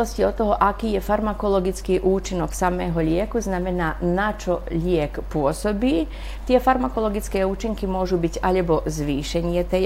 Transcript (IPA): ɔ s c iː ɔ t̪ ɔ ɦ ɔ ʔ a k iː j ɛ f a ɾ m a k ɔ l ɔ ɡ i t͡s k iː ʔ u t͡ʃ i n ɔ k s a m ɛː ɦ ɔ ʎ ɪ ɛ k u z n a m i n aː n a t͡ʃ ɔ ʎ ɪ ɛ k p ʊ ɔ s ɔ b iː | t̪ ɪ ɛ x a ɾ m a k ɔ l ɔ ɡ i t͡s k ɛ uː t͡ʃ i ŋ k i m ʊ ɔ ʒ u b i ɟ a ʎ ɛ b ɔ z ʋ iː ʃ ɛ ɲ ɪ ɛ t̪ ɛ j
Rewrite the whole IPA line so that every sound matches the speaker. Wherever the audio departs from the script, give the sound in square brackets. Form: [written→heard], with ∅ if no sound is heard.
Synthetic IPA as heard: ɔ s c [iː→i] ɔ t̪ ɔ ɦ ɔ ʔ a k iː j ɛ f a ɾ m a k ɔ l ɔ ɡ i t͡s k iː ʔ [u→uː] t͡ʃ i n ɔ k s a m ɛː ɦ ɔ ʎ ɪ ɛ k u z n a m [i→ɛ] n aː n a t͡ʃ ɔ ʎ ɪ ɛ k p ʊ ɔ s ɔ b iː | t̪ ɪ ɛ [x→f] a ɾ m a k ɔ l ɔ ɡ i t͡s k [ɛ→ɛː] uː t͡ʃ i ŋ k i m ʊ ɔ ʒ u b i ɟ a ʎ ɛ b ɔ z ʋ iː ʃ ɛ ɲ ɪ ɛ t̪ ɛ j